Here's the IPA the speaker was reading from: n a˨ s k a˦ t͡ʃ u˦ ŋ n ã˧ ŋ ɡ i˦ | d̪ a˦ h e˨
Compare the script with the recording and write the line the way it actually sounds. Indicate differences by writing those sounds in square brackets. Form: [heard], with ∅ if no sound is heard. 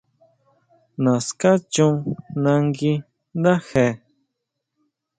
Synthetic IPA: n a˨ s k a˦ t͡ʃ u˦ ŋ n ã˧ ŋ ɡ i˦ | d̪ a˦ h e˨